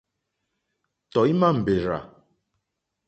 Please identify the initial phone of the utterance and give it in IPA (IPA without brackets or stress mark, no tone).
t